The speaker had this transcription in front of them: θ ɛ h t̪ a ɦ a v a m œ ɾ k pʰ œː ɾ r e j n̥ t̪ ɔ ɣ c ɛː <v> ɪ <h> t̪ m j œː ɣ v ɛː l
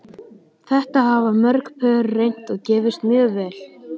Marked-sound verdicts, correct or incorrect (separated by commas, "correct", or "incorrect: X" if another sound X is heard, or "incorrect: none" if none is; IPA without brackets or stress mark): correct, incorrect: s